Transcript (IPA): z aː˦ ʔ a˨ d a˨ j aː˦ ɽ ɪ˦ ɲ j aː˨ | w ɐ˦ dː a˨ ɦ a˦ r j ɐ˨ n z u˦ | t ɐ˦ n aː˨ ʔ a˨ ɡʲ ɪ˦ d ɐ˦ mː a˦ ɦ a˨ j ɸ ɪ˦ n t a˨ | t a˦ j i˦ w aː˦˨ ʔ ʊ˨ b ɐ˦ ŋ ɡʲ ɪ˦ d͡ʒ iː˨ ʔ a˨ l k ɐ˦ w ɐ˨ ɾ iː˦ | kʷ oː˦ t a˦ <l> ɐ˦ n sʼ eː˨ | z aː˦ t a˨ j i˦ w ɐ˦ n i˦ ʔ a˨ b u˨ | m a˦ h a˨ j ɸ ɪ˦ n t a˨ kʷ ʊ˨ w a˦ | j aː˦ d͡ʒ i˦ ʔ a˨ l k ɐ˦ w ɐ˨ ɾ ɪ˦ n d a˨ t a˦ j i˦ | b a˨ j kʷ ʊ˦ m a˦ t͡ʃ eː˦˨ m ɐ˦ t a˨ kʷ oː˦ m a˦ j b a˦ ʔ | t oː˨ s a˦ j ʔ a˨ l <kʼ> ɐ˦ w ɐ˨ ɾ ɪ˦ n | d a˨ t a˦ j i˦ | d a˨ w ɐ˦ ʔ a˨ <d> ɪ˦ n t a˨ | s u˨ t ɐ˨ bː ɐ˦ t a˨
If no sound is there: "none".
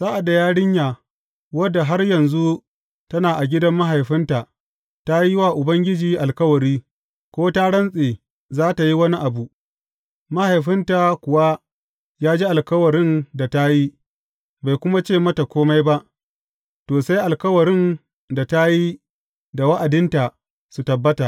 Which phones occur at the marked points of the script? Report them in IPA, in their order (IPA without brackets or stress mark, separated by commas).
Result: ɽ, k, d